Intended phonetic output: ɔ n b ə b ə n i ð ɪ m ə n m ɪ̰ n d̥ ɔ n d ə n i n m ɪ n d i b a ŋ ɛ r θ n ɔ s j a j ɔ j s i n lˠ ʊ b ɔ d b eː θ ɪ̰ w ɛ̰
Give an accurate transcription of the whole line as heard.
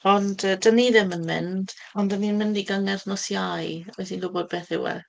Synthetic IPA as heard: ɔ n d ə d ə n i ð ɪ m ə n m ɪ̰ n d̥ ɔ n d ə n i n m ɪ n d i ɡ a ŋ ɛ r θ n ɔ s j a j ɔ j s i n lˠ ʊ b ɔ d b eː θ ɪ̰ w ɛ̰